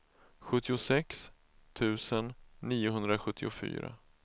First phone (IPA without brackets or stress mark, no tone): ɧ